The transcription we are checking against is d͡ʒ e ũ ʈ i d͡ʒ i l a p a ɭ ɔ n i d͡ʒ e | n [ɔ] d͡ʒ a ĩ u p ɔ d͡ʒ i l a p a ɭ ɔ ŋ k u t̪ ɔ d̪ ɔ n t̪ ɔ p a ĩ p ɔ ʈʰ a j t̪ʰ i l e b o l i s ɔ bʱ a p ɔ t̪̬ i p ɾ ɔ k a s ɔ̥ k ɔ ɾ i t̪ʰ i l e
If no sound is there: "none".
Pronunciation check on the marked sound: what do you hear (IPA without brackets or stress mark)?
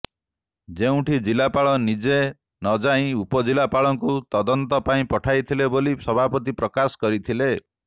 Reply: ɔ